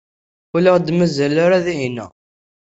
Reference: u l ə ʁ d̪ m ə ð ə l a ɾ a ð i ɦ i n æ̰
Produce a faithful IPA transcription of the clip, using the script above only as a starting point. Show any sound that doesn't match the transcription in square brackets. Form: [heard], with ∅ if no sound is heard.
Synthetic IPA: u l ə ʁ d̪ m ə [z] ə l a ɾ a ð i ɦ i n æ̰